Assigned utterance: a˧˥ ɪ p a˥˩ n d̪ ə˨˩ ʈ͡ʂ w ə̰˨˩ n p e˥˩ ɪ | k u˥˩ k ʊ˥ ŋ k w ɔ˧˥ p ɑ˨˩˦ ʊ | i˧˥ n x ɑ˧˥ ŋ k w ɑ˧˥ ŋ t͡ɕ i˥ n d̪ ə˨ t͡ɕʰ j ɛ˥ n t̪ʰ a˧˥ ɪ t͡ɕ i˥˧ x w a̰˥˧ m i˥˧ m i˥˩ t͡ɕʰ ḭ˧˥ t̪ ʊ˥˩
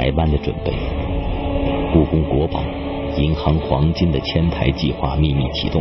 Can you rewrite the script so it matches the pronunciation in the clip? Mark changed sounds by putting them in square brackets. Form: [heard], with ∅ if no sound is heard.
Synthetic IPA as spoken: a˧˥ ɪ p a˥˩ n d̪ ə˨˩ ʈ͡ʂ w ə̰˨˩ n p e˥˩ ɪ | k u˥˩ k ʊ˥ ŋ k w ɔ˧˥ p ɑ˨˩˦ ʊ | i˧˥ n x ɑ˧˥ ŋ [x] w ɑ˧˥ ŋ t͡ɕ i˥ n d̪ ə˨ t͡ɕʰ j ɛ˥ n t̪ʰ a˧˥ ɪ t͡ɕ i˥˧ x w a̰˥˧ m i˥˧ m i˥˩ t͡ɕʰ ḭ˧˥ t̪ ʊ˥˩